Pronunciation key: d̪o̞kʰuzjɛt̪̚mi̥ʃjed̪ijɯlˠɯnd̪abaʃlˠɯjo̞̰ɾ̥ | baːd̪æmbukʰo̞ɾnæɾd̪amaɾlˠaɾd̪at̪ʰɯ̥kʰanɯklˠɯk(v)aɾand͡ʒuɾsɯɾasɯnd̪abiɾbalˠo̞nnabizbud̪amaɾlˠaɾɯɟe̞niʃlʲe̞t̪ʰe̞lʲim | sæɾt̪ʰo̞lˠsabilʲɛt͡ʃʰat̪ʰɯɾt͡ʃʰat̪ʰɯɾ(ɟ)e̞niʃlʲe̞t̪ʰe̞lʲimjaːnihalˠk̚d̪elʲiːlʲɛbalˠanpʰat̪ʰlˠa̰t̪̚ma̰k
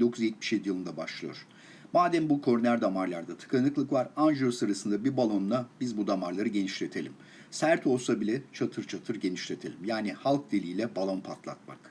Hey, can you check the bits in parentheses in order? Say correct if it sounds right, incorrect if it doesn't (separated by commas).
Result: correct, correct